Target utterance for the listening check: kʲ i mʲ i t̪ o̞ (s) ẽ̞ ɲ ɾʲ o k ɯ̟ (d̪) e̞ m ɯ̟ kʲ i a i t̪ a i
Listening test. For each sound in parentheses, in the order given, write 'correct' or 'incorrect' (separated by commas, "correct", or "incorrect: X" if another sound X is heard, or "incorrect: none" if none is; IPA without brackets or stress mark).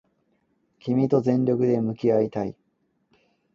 incorrect: z, correct